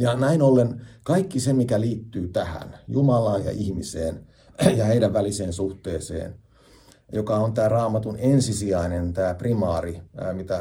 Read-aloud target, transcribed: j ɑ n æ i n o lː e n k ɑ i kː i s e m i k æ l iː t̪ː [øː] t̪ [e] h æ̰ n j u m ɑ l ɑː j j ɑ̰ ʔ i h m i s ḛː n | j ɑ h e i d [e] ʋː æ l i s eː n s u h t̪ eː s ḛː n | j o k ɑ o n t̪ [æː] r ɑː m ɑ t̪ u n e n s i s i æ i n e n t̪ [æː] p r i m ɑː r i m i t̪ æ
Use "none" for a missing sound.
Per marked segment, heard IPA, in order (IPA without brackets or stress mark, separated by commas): yː, æ, æ, æː, æː